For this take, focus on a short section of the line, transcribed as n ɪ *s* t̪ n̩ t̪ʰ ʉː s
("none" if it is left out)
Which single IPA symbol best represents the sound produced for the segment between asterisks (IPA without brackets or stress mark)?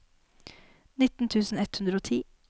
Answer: none